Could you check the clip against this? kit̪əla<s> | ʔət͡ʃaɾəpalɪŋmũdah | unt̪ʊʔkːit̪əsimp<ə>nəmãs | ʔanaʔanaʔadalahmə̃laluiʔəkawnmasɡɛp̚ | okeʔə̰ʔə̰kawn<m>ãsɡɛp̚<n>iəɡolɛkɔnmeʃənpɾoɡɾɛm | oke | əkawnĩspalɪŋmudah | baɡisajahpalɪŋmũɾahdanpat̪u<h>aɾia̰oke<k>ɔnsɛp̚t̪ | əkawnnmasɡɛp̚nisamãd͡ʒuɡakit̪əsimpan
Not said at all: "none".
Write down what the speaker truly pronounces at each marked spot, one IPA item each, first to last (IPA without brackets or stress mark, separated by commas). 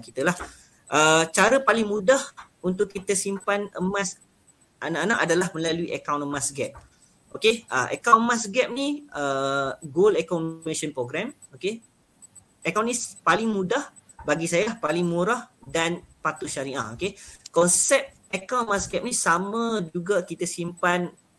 h, a, m, n, ʃ, k